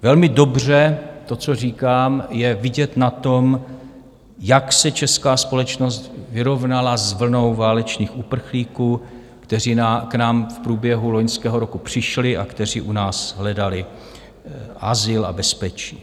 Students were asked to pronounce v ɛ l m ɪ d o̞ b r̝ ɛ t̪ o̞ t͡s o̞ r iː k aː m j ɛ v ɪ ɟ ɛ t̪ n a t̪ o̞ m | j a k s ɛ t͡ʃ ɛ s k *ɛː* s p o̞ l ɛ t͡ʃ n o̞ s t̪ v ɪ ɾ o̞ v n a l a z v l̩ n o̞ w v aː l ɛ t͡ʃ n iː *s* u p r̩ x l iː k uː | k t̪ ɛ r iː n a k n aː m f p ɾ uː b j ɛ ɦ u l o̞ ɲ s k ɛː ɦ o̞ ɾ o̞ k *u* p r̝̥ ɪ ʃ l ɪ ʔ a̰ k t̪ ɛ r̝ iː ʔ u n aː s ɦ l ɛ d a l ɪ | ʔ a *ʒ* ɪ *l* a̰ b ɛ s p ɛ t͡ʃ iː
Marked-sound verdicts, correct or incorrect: incorrect: aː, incorrect: x, correct, incorrect: z, correct

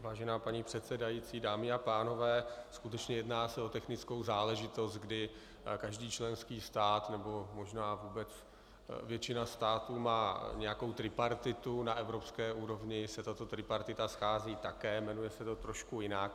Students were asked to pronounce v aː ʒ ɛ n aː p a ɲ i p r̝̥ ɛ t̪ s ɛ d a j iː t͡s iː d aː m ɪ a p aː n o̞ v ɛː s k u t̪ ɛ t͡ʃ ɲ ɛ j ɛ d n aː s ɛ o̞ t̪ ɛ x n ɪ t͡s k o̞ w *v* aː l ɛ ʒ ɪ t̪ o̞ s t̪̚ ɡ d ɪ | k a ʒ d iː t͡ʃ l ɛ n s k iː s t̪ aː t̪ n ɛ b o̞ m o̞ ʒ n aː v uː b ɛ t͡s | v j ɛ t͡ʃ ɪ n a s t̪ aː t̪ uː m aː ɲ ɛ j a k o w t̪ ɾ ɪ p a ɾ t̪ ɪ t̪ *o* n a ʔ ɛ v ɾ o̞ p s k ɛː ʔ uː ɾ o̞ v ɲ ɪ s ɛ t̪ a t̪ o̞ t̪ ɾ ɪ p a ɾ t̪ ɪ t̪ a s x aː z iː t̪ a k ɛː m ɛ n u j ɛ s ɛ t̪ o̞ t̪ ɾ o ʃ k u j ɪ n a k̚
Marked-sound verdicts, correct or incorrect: incorrect: z, incorrect: u

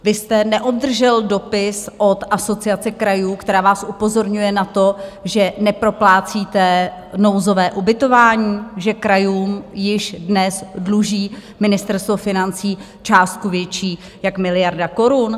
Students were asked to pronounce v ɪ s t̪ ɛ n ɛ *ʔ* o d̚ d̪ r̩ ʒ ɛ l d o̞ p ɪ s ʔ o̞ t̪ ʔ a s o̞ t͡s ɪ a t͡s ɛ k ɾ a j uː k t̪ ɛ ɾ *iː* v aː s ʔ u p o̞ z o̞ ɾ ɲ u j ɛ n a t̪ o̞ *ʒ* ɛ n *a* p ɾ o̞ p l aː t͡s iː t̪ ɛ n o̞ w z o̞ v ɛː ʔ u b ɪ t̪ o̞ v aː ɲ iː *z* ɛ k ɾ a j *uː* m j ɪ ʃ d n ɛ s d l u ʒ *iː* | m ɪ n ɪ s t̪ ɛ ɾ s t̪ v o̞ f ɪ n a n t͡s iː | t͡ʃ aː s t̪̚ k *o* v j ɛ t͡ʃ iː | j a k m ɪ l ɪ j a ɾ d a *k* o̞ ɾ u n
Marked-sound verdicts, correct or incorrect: correct, incorrect: aː, correct, incorrect: ɛ, incorrect: ʒ, correct, correct, incorrect: u, correct

